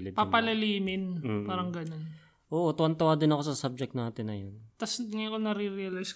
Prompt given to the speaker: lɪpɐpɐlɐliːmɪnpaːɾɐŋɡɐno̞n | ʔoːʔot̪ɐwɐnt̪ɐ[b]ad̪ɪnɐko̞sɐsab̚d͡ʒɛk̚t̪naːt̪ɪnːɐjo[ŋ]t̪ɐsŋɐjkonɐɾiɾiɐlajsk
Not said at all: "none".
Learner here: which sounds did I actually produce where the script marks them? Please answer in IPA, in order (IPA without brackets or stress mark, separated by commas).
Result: w, n